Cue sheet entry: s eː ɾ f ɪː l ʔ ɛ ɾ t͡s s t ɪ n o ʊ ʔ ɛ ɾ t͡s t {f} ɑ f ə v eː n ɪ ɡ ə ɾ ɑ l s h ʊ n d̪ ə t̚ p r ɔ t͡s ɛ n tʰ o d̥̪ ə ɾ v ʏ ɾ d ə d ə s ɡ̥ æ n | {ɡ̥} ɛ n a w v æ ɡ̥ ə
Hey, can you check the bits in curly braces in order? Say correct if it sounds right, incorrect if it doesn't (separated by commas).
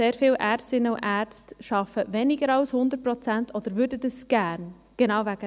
incorrect, correct